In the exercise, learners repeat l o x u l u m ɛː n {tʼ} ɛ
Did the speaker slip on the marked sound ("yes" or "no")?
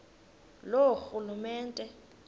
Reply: no